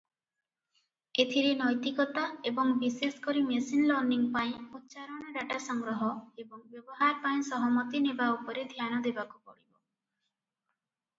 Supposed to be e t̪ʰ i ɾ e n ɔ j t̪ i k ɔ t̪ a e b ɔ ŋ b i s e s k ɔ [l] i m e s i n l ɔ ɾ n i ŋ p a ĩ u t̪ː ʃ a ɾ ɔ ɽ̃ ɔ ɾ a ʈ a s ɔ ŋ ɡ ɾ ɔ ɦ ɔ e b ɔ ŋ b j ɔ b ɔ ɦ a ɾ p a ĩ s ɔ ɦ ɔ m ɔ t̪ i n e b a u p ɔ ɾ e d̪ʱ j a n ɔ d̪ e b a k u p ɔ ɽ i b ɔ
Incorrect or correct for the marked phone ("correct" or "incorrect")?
incorrect